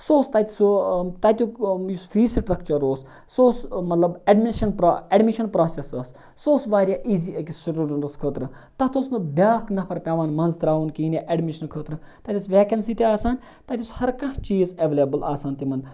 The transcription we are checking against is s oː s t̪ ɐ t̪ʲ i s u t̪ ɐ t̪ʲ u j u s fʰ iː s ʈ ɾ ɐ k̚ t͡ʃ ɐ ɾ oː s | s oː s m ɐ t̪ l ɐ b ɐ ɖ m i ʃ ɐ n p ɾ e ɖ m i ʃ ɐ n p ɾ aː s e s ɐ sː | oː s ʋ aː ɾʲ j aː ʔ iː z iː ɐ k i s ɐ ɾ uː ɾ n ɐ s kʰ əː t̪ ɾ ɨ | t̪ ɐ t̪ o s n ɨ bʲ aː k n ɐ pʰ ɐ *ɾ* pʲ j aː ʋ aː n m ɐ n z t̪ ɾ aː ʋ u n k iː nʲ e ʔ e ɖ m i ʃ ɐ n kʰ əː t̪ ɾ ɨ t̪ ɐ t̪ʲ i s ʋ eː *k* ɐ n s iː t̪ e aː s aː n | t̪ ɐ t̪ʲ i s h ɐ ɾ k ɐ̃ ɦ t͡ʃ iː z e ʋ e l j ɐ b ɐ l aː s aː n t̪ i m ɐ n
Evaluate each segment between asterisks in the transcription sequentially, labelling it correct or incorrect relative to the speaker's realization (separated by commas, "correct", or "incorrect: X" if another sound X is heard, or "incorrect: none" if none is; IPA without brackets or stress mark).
correct, correct